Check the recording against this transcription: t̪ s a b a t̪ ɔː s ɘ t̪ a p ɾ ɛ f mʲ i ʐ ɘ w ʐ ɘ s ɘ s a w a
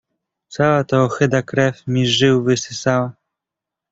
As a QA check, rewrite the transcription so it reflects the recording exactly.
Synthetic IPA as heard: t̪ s a w a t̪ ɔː x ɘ d̪ a k ɾ ɛ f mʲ i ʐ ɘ w v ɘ s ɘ s a w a